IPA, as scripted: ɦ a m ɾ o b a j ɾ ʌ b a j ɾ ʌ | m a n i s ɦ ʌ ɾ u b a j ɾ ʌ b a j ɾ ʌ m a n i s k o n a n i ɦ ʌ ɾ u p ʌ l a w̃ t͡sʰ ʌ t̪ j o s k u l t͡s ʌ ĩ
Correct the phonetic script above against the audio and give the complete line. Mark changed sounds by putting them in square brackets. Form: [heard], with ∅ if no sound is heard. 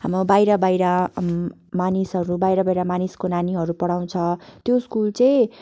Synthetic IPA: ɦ a m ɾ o b a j ɾ ʌ b a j ɾ ʌ | m a n i s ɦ ʌ ɾ u b a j ɾ ʌ b a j ɾ ʌ m a n i s k o n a n i ɦ ʌ ɾ u p ʌ [ɽ] a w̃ t͡sʰ ʌ t̪ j o s k u l t͡s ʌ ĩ